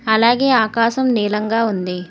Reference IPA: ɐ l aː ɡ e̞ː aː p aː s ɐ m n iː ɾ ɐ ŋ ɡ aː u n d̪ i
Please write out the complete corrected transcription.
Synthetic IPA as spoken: ɐ l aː ɡ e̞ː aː k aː ʃ ɐ m n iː l ɐ ŋ ɡ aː u n d̪ i